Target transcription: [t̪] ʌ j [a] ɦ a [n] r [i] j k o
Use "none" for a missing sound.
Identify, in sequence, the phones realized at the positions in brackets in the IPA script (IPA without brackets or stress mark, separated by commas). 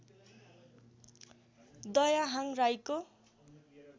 d̪, a, ŋ, a